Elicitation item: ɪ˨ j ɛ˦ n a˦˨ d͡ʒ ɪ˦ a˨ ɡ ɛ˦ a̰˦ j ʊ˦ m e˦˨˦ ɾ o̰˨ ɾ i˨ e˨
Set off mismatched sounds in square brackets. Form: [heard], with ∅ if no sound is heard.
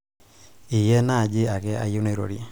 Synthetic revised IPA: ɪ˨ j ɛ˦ n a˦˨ d͡ʒ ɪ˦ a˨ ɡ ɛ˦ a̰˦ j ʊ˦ [n] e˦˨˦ ɾ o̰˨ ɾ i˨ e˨

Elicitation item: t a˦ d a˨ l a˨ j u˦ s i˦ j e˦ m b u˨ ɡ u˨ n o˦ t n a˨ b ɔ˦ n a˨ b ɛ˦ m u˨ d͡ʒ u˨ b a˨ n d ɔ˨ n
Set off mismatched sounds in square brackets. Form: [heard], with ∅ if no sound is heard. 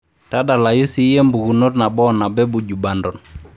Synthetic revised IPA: t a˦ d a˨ l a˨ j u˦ s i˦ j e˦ m b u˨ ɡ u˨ n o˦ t n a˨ b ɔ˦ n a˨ b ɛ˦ [b] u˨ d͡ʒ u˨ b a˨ n d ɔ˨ n

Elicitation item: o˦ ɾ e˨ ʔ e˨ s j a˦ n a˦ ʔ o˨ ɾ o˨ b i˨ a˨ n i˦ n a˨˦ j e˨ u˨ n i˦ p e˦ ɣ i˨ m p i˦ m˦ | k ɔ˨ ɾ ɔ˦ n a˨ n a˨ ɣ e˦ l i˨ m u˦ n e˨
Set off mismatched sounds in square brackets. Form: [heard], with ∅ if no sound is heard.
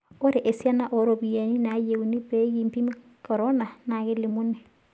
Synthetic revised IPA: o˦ ɾ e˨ ʔ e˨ s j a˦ n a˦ ʔ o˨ ɾ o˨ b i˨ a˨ n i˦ n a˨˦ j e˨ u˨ n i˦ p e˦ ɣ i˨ m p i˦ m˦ | k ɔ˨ ɾ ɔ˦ n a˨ n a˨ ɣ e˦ l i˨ m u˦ n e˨

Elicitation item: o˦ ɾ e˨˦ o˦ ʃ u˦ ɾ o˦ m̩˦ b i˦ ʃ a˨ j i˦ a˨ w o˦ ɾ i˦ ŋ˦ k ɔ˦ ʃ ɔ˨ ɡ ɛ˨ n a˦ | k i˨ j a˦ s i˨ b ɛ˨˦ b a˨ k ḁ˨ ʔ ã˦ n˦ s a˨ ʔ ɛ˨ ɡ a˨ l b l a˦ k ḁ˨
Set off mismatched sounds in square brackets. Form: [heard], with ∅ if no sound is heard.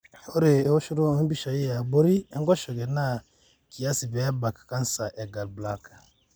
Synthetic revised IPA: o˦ ɾ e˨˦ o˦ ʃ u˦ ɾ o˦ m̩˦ b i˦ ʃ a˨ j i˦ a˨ [b] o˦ ɾ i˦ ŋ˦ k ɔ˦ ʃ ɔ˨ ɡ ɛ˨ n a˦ | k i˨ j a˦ s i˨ b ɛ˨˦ b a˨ k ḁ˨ [k] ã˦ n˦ s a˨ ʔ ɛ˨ ɡ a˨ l b l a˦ k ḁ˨

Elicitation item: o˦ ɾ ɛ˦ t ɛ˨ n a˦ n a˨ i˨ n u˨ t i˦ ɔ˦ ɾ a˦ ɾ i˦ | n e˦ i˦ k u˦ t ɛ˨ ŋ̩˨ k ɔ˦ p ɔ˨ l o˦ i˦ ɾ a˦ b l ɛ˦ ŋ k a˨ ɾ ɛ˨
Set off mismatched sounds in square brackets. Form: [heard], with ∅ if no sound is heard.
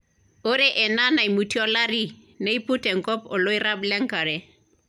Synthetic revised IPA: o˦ ɾ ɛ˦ [ʔ] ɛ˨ n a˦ n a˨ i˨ [m] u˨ t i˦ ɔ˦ [l] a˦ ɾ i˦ | n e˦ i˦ [p] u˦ t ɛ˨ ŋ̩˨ k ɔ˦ p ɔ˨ l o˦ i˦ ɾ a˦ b l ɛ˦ ŋ k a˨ ɾ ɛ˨

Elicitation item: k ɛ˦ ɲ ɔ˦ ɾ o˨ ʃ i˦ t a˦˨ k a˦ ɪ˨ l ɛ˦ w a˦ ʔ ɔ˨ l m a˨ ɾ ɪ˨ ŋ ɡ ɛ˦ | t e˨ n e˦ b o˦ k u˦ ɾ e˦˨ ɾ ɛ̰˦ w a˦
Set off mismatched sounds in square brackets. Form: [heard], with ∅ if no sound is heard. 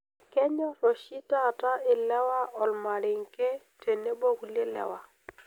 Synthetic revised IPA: k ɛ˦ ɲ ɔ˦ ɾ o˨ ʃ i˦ t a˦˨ [t] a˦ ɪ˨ l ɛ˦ w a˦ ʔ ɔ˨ l m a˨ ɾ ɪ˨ ŋ [k] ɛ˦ | t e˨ n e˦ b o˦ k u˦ [l] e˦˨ [l] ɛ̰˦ w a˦

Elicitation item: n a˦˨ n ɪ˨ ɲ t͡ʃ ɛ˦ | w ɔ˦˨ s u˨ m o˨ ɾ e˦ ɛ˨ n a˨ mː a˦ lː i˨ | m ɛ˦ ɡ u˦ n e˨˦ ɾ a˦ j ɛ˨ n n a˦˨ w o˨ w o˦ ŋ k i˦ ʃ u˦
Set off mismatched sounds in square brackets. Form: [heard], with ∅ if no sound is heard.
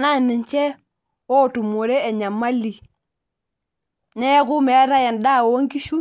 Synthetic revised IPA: n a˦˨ n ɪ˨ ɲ t͡ʃ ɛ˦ | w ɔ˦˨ [t] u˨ m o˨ ɾ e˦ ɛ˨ [ɲ] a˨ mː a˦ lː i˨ | [n] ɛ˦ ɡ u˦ [m] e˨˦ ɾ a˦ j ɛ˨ n [d] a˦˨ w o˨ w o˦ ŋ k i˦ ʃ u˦

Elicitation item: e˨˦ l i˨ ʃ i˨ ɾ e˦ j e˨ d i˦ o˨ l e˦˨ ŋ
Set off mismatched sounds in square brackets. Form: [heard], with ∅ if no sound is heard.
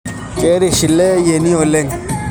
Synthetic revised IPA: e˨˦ [ɾ] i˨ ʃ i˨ [l] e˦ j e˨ [n] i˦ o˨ l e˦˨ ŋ

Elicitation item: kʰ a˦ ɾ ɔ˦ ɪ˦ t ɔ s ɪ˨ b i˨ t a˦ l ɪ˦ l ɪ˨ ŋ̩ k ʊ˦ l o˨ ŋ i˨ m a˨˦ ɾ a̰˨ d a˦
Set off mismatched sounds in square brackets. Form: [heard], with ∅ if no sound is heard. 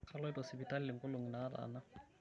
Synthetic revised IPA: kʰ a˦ [l] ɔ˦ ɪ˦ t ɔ s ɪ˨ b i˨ t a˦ l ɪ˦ l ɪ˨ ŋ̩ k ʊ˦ l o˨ ŋ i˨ [n] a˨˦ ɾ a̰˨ [n] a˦

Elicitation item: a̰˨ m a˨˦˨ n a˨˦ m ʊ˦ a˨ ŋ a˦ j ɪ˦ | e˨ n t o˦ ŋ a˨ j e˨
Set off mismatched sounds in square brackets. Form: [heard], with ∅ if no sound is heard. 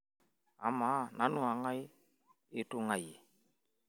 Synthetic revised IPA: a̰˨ m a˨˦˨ n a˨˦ [n] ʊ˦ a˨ ŋ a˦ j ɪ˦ | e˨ [∅] t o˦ ŋ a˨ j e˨

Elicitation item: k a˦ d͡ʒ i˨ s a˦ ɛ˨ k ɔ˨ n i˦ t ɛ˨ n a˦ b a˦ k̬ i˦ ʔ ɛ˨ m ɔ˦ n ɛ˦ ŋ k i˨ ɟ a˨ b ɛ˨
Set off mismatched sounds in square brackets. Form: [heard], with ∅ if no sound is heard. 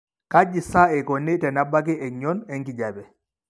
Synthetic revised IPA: k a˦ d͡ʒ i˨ s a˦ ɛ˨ k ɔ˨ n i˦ t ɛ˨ n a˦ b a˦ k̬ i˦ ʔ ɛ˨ [ɲ] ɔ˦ n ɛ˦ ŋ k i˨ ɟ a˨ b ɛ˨

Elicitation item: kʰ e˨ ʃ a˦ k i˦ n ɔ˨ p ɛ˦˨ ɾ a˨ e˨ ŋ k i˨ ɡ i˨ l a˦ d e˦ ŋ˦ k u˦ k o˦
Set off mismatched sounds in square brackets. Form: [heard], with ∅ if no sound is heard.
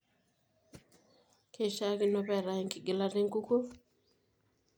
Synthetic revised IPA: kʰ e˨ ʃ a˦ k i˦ n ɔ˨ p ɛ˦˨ ɾ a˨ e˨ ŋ k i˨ ɡ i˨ l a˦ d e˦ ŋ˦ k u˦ k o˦

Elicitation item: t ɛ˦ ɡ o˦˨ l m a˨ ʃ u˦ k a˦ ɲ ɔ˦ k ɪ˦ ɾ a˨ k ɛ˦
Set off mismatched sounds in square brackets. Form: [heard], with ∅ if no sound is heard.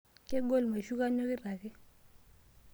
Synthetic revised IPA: [k] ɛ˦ ɡ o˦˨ l m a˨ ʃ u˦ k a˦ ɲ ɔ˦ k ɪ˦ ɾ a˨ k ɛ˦

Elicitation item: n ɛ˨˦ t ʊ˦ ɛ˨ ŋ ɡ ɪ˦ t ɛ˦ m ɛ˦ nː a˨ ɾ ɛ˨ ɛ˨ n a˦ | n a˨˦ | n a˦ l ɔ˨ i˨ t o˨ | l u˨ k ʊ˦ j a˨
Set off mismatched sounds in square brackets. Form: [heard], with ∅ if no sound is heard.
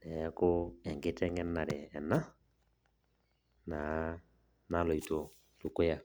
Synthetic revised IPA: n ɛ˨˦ [k] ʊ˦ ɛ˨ ŋ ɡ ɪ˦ t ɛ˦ [ŋ] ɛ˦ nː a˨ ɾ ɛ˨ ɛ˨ n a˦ | n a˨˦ | n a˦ l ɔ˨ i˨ t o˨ | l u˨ k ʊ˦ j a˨

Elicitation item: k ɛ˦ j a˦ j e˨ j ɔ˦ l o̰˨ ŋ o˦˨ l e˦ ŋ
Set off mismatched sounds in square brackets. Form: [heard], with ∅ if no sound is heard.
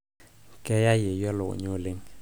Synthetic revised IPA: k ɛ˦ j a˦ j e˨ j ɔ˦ l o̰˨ [ɲ] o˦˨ l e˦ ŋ

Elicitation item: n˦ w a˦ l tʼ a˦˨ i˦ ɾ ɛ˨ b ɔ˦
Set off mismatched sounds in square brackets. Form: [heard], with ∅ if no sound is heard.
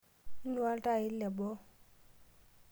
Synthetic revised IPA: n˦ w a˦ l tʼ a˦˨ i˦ [l] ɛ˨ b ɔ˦

